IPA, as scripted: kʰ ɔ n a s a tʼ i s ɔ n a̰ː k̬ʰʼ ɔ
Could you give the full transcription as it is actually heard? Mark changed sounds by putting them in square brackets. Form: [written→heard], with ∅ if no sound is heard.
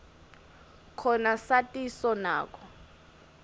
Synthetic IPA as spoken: kʰ ɔ n a s a tʼ i s ɔ n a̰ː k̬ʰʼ ɔ

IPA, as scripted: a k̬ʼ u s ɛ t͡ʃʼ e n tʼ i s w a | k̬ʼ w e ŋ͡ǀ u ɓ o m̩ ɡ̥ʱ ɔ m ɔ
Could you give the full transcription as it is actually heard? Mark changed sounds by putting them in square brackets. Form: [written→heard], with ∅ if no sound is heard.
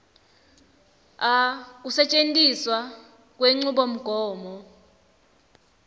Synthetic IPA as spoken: a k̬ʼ u s ɛ t͡ʃʼ e n tʼ i s w a | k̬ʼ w e ŋ͡ǀ u ɓ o m̩ ɡ̥ʱ [ɔ→ɔː] m ɔ

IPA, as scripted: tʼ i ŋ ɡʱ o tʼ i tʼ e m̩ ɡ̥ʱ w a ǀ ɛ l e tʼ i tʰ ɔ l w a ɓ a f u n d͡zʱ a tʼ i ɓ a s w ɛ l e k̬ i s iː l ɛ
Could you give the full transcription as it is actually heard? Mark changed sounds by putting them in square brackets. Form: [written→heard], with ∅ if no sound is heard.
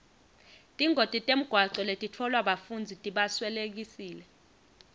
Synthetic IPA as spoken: tʼ i ŋ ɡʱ o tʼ i tʼ e m̩ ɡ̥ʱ w a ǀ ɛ l e tʼ i tʰ ɔ l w a ɓ a f u n d͡zʱ [a→i] tʼ i ɓ a s w ɛ l e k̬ i s iː l ɛ

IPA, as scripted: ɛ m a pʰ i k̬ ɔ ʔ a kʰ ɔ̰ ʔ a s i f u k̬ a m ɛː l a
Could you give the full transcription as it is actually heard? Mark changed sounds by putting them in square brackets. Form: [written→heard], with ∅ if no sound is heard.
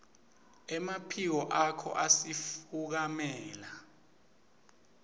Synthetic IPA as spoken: ɛ m a pʰ i k̬ ɔ ʔ a kʰ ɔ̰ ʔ a s i f u k̬ a m ɛː l a

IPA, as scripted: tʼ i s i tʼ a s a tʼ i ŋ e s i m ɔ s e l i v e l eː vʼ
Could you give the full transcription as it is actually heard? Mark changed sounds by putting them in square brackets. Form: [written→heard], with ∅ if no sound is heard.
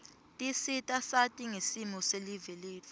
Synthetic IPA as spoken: tʼ i s i tʼ a s a tʼ i ŋ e s i m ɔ s e l i v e l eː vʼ

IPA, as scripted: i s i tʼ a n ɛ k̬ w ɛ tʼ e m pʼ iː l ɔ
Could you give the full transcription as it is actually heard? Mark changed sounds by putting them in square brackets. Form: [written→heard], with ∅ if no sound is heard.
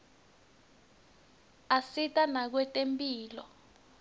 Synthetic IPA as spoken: [i→a] s i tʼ a n [ɛ→a] k̬ w ɛ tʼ e m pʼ iː l ɔ

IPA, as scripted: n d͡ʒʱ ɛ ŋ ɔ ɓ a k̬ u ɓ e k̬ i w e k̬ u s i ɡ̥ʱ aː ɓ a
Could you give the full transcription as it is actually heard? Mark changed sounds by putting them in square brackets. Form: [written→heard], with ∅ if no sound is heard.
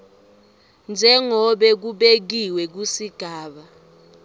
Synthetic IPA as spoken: n d͡ʒʱ ɛ ŋ ɔ ɓ [a→ɛ] k̬ u ɓ e k̬ i w [e→ɛ] k̬ u s i ɡ̥ʱ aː ɓ a

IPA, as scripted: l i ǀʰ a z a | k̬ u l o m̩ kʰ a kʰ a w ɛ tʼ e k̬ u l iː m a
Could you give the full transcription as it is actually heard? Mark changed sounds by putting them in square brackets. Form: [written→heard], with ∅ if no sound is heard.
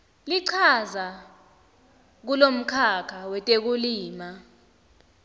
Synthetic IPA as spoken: l i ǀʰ a z a | k̬ u l o m̩ kʰ a kʰ a w ɛ tʼ e k̬ u l iː m a

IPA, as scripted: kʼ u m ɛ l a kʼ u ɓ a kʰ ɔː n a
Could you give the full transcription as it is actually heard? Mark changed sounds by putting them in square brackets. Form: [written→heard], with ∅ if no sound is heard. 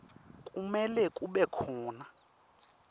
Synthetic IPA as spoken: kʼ u m ɛ l [a→ɛ] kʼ u ɓ [a→ɛ] kʰ ɔː n a

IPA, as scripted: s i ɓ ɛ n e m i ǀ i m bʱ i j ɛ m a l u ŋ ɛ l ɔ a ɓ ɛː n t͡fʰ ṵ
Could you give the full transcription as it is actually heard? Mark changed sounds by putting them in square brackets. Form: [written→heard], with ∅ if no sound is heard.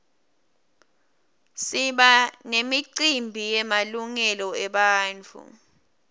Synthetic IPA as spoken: s i ɓ [ɛ→a] n e m i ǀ i m bʱ i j ɛ m a l u ŋ ɛ l ɔ [a→ɛ] ɓ [ɛː→aː] n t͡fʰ ṵ

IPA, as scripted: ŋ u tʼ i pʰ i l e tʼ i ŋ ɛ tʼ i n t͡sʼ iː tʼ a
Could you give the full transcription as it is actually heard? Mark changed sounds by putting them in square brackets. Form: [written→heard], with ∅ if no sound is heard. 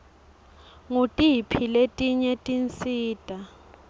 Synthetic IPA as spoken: ŋ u tʼ i pʰ i l e tʼ i [ŋ→ɲ] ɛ tʼ i n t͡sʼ iː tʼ a

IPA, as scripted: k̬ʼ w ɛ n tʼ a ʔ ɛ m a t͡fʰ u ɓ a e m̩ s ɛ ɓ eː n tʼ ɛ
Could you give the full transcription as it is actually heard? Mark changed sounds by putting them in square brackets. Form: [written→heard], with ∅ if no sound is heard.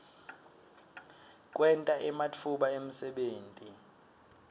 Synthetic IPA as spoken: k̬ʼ w ɛ n tʼ a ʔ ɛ m a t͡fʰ u ɓ a e m̩ s ɛ ɓ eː n tʼ [ɛ→i]

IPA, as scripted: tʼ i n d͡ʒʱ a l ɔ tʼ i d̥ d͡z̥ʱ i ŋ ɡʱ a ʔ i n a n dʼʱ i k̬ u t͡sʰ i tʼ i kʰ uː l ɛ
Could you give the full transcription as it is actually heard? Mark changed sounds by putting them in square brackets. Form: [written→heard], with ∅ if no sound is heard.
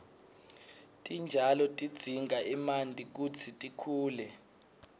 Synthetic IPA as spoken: tʼ i n d͡ʒʱ a l ɔ tʼ i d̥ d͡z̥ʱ i ŋ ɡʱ a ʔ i [n→m] a n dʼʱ i k̬ u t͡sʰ i tʼ i kʰ uː l ɛ

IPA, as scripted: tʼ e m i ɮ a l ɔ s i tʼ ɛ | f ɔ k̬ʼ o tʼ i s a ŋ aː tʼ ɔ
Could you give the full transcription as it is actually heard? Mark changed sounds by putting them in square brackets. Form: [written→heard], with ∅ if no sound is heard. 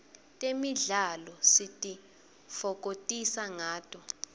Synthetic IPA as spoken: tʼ e m i ɮ a l ɔ s i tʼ [ɛ→i] | f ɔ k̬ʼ o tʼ i s a ŋ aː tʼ ɔ

